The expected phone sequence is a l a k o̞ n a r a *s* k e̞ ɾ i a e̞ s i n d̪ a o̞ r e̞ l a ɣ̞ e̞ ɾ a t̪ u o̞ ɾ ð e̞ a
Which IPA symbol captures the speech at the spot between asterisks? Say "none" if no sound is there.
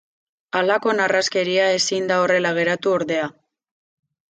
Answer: s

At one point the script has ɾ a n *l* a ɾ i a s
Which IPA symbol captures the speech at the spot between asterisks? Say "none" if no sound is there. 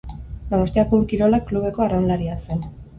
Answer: l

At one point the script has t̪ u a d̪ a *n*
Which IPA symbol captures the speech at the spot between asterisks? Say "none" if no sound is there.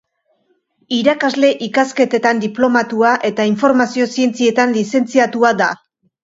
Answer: none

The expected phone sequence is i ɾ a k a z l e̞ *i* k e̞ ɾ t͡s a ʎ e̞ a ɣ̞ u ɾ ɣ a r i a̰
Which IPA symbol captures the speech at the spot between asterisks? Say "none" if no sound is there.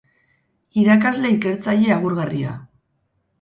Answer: i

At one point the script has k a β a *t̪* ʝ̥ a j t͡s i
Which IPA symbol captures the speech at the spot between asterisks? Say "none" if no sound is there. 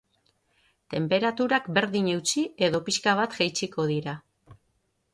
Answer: t̪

